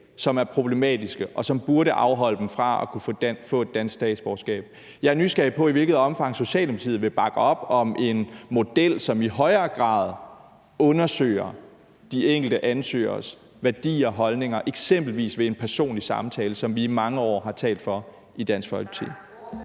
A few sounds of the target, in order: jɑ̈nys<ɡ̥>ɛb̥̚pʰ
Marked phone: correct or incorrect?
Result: correct